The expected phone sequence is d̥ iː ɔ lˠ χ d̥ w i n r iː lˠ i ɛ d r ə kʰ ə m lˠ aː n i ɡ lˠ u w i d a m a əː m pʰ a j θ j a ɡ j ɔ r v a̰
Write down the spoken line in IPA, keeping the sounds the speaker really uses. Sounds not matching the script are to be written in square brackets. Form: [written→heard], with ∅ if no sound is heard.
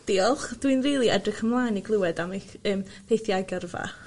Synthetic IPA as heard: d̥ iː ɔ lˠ χ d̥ w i n r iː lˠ i ɛ d r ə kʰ ə m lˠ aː n i ɡ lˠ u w [i→ɛ] d a m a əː m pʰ [a→e] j θ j a ɡ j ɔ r v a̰